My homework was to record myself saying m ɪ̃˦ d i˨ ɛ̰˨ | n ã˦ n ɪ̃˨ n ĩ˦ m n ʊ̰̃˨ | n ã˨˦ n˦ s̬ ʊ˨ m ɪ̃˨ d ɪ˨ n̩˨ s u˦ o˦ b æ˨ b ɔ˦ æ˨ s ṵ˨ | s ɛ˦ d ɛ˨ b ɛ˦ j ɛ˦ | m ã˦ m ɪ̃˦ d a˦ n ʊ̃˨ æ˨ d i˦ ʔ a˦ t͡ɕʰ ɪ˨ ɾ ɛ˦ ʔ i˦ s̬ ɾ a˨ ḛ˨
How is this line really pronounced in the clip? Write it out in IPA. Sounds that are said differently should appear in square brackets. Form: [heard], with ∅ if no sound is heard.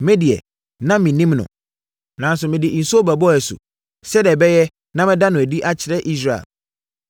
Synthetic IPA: m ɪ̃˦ d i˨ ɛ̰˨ | n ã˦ [m] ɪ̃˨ n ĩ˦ m n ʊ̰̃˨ | n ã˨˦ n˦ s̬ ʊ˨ m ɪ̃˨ d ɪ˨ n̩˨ s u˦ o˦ b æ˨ b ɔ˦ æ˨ s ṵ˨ | s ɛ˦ d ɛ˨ b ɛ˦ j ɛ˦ | [n] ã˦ m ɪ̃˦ d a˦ n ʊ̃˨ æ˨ d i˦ ʔ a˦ t͡ɕʰ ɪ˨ ɾ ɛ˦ ʔ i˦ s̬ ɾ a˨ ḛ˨